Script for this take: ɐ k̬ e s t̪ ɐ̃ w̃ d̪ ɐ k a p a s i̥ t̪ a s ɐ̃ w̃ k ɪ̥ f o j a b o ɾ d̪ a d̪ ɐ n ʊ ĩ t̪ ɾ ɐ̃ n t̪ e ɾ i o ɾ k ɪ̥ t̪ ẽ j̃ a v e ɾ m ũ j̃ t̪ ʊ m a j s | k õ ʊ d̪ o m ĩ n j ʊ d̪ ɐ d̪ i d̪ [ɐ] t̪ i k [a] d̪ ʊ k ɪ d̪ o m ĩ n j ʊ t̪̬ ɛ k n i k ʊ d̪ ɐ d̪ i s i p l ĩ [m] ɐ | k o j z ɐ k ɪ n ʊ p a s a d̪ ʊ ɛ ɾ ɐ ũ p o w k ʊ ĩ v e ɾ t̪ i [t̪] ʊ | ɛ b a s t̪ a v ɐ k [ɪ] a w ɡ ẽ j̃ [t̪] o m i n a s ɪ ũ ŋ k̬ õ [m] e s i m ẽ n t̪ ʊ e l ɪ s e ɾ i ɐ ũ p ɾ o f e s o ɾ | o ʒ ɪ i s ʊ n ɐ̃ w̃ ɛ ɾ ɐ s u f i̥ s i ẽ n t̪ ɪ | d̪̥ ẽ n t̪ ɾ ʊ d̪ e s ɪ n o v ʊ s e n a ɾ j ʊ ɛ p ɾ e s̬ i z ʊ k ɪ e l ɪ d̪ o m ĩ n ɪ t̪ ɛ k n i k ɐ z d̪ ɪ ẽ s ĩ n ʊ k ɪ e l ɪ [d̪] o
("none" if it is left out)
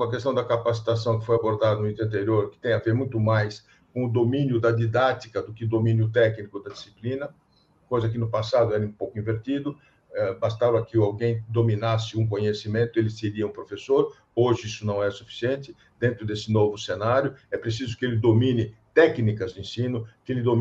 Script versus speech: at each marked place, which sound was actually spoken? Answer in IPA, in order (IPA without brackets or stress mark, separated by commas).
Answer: a, ɐ, n, d̪, ɪ, d̪, ɲ, d̪